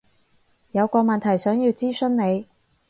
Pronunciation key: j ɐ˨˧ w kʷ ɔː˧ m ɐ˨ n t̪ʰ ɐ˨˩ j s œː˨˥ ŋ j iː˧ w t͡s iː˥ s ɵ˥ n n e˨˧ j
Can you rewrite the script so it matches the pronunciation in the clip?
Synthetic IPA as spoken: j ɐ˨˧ w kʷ ɔː˧ m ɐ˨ n t̪ʰ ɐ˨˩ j s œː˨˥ ŋ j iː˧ w t͡s iː˥ s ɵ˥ n n e˨˧ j